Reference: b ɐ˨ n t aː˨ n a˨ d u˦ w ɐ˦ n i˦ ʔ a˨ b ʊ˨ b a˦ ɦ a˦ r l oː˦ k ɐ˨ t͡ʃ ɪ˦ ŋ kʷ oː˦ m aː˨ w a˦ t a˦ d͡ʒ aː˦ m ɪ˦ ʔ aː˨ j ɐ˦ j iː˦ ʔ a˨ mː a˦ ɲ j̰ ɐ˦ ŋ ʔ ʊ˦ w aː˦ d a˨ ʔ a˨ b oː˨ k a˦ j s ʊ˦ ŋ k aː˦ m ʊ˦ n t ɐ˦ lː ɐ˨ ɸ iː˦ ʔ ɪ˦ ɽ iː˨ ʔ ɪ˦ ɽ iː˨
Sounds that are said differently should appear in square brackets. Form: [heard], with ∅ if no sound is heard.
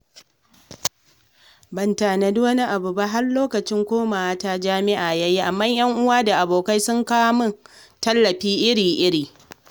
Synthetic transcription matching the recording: b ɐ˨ n t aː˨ n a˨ d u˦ w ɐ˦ n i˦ ʔ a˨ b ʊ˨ b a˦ ɦ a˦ r l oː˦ k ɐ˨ t͡ʃ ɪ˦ ŋ kʷ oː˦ m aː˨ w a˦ t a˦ d͡ʒ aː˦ m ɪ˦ ʔ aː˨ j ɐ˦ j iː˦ ʔ a˨ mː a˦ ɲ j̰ ɐ˦ ŋ ʔ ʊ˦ w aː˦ d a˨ ʔ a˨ b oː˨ k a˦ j s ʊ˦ ŋ k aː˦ m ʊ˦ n t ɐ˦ lː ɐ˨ ɸ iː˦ ʔ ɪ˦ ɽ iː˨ ʔ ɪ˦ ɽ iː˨